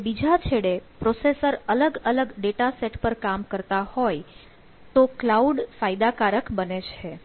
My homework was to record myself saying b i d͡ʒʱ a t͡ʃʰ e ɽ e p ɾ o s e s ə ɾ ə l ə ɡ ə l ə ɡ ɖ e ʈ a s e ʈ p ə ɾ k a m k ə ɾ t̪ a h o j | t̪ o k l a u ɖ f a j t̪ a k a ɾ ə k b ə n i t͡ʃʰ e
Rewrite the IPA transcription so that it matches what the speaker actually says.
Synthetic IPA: b i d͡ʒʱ a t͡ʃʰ e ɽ e p ɾ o s e s ə ɾ ə l ə ɡ ə l ə ɡ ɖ e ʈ a s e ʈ p ə ɾ k a m k ə ɾ t̪ a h o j | t̪ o k l a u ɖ f a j d̪ a k a ɾ ə k b ə n e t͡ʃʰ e